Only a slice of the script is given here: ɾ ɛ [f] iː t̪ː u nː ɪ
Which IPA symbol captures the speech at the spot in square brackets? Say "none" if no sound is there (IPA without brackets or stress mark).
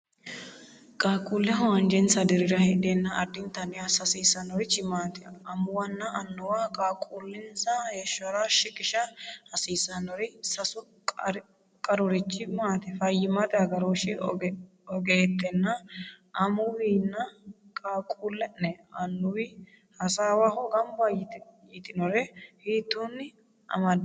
h